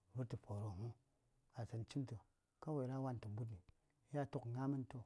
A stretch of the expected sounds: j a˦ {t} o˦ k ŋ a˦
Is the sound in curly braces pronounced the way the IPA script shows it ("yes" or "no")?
yes